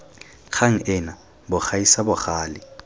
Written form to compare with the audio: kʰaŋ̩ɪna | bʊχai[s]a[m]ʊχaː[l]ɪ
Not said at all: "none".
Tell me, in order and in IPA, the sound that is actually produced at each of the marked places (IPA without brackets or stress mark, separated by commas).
s, b, l